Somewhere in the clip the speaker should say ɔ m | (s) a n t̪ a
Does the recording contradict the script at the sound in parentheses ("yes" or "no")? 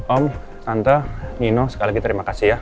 no